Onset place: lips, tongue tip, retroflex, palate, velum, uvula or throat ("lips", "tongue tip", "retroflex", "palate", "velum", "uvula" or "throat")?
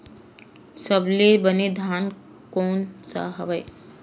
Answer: tongue tip